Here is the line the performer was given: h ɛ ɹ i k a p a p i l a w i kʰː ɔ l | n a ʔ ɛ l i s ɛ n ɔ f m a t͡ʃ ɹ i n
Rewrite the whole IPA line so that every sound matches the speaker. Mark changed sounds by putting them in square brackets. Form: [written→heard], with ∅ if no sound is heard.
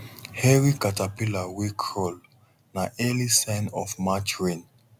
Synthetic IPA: h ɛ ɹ i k a [p→t] a p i l a w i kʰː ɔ l | n a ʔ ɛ l i s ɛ n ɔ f m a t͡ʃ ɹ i n